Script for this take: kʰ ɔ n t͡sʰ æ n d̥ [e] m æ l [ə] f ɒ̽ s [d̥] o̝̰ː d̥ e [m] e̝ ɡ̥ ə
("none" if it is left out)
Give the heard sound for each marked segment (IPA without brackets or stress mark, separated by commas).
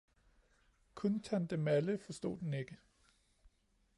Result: e, ə, d̥, n